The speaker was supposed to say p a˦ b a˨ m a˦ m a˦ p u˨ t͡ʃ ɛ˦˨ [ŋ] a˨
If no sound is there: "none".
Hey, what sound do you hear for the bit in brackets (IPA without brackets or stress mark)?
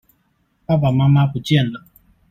n